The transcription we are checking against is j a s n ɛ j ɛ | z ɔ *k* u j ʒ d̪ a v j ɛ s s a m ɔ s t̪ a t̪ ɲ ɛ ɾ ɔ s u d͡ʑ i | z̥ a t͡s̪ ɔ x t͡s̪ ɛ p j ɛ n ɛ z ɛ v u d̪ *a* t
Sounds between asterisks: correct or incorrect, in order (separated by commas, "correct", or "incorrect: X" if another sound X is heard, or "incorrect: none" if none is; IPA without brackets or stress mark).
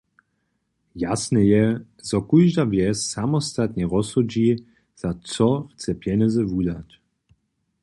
correct, correct